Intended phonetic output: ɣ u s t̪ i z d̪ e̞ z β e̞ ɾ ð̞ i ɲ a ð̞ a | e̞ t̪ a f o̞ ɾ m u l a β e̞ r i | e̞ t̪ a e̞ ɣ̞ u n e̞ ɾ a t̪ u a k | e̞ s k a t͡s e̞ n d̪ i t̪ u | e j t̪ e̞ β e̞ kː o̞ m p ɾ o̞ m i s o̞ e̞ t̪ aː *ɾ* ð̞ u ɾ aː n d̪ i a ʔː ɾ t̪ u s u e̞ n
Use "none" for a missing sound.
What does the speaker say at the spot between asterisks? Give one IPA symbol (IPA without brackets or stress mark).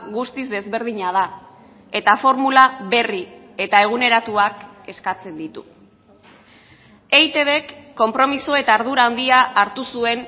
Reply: ɾ